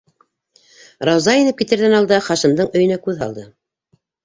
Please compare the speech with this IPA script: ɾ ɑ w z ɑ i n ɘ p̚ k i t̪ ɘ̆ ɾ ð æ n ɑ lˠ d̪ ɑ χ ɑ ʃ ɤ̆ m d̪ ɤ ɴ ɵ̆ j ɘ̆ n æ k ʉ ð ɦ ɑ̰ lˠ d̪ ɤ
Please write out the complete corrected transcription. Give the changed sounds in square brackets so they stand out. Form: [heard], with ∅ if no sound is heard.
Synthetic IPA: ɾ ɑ w z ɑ i n ɘ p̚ k i t̪ ɘ̆ ɾ ð æ n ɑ lˠ d̪ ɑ χ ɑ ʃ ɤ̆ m d̪ ɤ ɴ ɵ̆ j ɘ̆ n æ k ʉ ð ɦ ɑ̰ lˠ d̪ ɤ